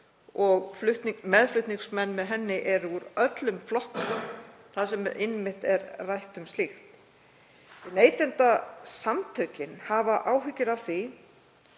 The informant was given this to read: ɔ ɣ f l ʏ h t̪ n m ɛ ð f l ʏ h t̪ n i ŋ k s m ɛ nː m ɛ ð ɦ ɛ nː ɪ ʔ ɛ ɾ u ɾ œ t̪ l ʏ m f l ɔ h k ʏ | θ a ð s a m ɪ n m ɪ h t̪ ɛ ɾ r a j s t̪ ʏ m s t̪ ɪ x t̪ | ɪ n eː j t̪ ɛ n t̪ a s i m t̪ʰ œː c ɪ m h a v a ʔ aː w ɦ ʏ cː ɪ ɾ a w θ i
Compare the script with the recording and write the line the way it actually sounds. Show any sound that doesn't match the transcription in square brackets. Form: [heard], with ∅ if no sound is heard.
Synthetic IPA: ɔ ɣ f l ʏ h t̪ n m ɛ ð f l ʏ h t̪ n i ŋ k s m ɛ nː m ɛ ð ɦ ɛ nː ɪ ʔ ɛ ɾ u ɾ œ t̪ l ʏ m f l ɔ h k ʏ | θ a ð s [ɛ] m ɪ n m ɪ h t̪ ɛ ɾ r a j [h] t̪ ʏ m s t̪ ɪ x t̪ | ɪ n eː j t̪ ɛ n t̪ a s [a] m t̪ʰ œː c ɪ [n] h a v a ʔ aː w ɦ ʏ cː ɪ ɾ a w θ i